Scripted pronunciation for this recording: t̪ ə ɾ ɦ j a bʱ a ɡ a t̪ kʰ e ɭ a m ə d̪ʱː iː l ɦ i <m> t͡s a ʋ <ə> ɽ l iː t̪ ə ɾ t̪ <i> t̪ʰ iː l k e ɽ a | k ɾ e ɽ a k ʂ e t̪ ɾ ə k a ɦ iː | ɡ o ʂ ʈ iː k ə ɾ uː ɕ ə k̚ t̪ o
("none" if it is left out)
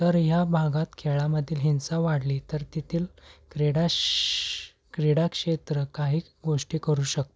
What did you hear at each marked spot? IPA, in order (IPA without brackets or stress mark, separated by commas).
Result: n, a, i